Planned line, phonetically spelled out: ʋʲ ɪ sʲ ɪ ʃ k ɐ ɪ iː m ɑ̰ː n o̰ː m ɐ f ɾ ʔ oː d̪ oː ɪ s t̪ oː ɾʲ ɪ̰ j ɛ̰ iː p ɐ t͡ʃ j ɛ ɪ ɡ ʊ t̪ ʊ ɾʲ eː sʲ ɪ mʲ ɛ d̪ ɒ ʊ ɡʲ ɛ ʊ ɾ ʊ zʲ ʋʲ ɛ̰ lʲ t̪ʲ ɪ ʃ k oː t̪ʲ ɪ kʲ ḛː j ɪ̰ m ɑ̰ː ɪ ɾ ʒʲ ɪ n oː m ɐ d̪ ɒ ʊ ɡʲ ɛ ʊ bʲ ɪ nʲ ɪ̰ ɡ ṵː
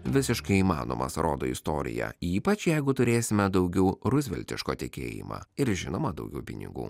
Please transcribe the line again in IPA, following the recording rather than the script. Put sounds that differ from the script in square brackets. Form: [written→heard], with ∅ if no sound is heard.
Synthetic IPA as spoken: ʋʲ ɪ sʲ ɪ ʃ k ɐ ɪ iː m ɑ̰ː n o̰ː m ɐ [f→s] ɾ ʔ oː d̪ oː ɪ s t̪ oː ɾʲ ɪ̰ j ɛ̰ iː p ɐ t͡ʃ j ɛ ɪ ɡ ʊ t̪ ʊ ɾʲ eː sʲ ɪ mʲ ɛ d̪ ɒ ʊ ɡʲ ɛ ʊ ɾ ʊ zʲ ʋʲ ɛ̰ lʲ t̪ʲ ɪ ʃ k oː t̪ʲ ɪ kʲ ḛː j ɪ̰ m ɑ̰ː ɪ ɾ ʒʲ ɪ n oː m ɐ d̪ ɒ ʊ ɡʲ ɛ ʊ [bʲ→pʲ] ɪ nʲ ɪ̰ ɡ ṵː